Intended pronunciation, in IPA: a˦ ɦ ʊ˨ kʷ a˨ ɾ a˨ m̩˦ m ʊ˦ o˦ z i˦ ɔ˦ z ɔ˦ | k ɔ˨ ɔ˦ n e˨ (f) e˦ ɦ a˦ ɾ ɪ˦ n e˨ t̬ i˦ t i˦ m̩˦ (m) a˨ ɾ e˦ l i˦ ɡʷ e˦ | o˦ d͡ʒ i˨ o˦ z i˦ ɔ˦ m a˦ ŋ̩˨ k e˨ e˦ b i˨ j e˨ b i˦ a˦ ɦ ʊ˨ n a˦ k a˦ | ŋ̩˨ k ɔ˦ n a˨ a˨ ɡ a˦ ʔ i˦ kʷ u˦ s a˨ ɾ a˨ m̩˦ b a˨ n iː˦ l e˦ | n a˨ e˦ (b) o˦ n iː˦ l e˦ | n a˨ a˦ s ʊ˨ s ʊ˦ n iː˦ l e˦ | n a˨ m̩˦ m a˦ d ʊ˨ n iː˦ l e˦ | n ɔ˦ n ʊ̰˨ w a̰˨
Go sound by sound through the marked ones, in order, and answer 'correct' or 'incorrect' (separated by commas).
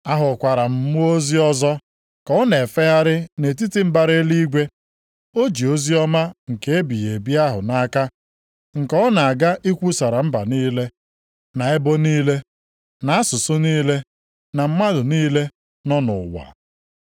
correct, incorrect, correct